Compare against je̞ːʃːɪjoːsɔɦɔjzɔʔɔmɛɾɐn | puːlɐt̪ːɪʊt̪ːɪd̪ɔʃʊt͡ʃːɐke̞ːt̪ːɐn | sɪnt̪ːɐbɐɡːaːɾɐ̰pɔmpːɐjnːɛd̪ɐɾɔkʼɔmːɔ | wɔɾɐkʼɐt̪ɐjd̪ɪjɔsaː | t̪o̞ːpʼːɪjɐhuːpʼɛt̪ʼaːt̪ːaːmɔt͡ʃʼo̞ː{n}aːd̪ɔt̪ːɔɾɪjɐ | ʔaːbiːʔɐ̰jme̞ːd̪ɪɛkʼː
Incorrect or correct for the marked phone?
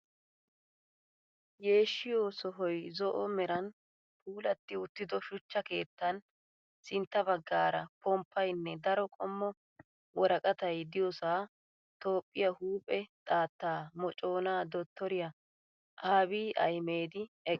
correct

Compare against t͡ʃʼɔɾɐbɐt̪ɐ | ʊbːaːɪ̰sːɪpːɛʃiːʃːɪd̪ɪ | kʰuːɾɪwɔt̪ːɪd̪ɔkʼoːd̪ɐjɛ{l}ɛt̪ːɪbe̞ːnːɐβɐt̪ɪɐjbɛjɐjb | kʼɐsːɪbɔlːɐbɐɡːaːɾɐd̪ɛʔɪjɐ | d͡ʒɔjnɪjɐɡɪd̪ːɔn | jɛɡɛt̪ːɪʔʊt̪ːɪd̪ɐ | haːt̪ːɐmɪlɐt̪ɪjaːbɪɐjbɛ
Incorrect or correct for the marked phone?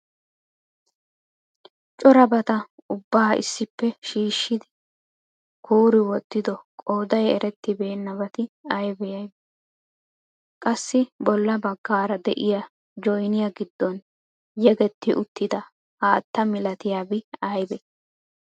incorrect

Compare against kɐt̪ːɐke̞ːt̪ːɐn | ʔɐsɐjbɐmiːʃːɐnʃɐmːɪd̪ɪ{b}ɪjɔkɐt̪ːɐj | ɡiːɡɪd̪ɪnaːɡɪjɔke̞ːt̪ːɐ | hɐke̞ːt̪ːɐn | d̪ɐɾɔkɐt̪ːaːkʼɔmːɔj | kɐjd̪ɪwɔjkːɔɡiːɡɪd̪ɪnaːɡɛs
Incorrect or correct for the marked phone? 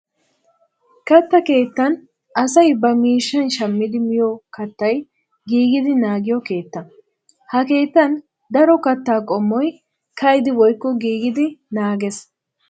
incorrect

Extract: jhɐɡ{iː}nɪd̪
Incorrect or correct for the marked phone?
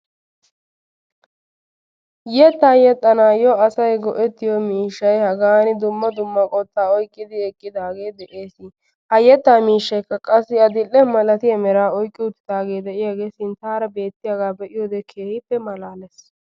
incorrect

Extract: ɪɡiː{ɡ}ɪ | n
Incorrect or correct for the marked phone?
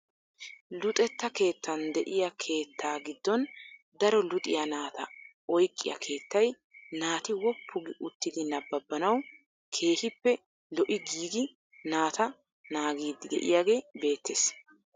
correct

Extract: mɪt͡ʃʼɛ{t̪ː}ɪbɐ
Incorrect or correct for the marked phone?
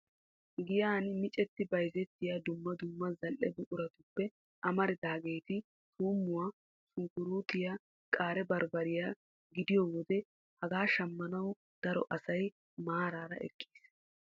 correct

